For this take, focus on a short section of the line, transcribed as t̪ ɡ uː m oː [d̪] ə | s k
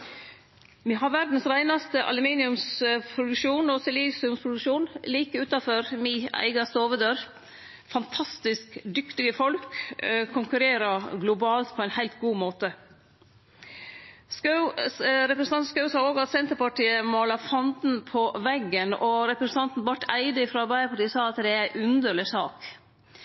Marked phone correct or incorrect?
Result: incorrect: t̪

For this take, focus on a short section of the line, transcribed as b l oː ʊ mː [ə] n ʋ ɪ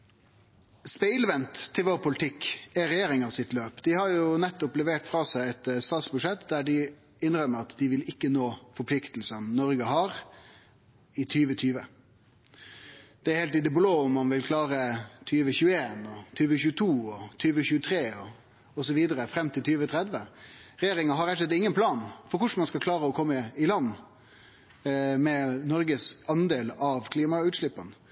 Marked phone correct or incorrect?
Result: incorrect: ɑ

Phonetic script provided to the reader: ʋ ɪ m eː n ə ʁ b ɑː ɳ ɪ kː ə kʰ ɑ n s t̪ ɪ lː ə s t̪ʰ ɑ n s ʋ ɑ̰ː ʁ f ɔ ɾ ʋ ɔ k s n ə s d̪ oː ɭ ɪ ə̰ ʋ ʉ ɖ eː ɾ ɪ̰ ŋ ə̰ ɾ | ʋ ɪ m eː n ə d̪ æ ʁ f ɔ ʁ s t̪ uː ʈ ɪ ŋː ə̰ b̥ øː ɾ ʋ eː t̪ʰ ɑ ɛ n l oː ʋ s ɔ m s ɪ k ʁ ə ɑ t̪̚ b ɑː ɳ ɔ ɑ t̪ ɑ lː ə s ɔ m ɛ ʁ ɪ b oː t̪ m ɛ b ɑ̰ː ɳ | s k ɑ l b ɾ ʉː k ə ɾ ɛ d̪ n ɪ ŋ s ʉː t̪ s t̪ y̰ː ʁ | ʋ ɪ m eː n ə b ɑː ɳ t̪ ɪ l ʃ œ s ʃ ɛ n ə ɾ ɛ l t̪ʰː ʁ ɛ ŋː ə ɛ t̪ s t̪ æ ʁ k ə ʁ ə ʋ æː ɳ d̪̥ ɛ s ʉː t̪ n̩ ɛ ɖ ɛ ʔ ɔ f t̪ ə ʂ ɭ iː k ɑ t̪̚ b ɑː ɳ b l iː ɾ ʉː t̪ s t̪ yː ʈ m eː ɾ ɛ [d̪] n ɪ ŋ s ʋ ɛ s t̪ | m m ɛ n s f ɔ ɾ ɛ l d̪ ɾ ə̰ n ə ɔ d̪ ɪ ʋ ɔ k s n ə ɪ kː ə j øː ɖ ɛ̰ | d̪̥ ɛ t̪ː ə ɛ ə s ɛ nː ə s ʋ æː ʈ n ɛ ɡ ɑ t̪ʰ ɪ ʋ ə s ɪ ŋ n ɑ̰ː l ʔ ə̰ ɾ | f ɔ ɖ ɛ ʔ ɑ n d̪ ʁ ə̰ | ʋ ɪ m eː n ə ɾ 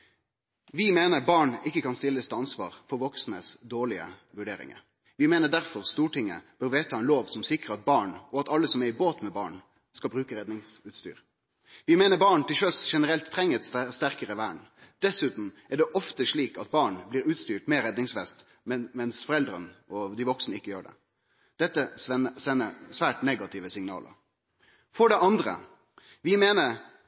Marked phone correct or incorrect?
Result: correct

